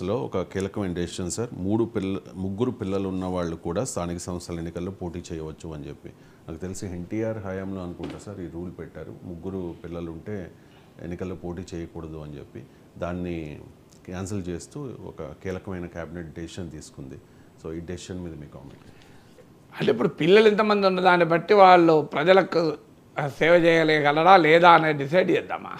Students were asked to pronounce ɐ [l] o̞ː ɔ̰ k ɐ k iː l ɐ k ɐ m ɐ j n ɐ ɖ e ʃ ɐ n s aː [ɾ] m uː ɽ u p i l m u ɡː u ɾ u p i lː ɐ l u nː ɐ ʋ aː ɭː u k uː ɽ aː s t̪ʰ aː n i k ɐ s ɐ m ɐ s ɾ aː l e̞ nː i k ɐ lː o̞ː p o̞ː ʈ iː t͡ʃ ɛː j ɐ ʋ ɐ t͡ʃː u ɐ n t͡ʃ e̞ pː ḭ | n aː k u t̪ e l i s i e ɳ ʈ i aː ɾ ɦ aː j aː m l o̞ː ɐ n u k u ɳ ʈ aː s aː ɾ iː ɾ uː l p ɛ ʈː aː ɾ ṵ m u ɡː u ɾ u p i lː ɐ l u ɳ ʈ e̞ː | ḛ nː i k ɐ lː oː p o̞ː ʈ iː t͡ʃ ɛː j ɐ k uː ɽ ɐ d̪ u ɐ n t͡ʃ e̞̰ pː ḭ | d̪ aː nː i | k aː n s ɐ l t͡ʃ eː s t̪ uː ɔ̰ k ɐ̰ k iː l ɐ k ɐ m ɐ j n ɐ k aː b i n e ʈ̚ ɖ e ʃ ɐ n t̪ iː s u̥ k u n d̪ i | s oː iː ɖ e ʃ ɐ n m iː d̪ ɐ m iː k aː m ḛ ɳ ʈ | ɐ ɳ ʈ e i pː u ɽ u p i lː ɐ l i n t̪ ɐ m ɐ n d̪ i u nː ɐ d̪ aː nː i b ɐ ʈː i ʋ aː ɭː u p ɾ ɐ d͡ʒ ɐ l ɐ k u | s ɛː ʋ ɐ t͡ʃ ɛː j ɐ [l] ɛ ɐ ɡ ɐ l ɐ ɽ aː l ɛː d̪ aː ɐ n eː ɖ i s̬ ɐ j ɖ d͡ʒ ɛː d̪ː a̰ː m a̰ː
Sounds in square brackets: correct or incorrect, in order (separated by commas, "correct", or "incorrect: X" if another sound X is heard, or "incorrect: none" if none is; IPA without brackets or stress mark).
correct, correct, correct